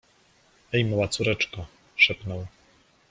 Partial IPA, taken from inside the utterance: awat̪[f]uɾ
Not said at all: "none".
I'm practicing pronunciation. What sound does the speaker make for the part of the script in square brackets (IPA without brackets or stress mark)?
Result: s